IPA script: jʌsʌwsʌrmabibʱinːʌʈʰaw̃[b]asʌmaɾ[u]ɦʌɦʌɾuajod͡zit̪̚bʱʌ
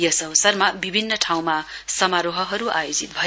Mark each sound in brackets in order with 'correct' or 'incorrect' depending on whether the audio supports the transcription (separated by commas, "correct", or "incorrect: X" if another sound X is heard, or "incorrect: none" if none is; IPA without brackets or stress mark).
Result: incorrect: m, incorrect: o